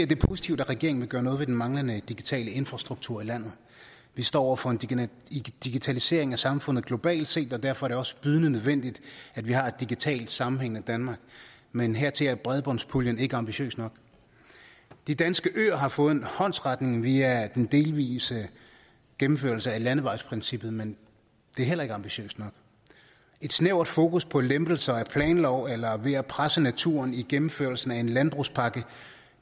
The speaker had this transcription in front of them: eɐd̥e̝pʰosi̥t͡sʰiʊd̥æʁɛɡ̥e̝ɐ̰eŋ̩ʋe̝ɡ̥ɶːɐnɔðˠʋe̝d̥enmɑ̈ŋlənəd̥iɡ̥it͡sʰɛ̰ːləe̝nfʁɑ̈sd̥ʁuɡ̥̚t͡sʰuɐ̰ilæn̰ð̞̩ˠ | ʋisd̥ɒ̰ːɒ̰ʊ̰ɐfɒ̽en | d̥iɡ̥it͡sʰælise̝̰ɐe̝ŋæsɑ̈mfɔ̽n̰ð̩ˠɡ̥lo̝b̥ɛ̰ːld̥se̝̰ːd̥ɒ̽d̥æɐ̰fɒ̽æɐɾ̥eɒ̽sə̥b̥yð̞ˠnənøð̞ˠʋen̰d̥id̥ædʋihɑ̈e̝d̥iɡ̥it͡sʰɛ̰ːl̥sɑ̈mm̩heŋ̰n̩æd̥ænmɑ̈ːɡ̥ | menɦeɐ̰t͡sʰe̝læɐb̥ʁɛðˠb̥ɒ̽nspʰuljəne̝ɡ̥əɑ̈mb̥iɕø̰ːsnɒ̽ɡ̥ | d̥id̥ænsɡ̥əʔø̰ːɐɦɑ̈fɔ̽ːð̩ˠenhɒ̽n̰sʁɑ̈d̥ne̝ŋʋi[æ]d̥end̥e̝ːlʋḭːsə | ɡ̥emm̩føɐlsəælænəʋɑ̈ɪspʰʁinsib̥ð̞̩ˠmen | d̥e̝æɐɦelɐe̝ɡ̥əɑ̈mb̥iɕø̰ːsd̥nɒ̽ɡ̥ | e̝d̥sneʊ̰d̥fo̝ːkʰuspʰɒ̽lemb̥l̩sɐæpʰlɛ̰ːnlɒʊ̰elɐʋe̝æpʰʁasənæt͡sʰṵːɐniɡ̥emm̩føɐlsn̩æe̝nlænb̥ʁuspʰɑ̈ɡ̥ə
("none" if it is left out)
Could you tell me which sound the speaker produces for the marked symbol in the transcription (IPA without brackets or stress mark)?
æ